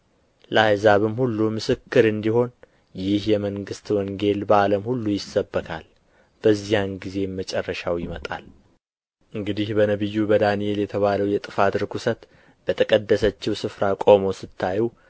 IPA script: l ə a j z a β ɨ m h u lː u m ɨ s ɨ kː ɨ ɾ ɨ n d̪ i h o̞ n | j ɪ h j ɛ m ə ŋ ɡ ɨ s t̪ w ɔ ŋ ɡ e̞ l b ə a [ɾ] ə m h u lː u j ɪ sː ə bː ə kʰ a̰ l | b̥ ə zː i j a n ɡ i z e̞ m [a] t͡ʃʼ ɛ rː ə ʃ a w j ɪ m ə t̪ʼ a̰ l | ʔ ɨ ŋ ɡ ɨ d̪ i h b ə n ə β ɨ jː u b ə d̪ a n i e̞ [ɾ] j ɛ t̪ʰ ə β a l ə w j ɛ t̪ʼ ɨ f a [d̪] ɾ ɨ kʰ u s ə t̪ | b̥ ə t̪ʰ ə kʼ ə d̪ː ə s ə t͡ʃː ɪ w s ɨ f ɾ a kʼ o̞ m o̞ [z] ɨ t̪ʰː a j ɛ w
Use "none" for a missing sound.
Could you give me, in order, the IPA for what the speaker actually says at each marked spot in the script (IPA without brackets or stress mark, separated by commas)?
l, ə, l, t̪, s